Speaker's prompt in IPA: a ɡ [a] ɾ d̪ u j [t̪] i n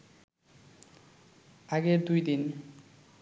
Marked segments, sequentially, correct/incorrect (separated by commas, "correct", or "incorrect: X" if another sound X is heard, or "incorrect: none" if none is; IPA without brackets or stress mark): incorrect: e, incorrect: d̪